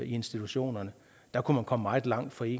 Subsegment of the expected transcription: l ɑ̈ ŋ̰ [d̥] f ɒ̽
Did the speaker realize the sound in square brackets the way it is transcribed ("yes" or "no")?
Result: yes